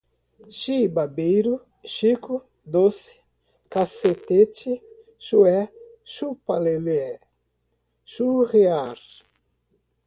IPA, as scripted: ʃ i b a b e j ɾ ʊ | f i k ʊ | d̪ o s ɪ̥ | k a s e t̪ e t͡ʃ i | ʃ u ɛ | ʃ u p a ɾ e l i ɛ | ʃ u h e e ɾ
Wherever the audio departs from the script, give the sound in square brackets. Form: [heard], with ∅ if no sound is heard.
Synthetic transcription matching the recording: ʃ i b a b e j ɾ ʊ | [ʃ] i k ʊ | d̪ o s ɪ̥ | k a s e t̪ e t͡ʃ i | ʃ u ɛ | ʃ u p a [l] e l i ɛ | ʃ u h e [a] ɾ